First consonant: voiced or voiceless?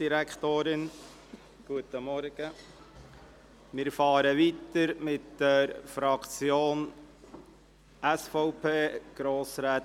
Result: voiced